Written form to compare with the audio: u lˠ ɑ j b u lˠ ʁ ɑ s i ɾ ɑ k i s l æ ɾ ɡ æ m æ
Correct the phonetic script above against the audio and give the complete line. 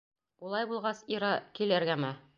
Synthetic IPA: u lˠ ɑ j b u lˠ ʁ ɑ s i ɾ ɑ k i l æ ɾ ɡ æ m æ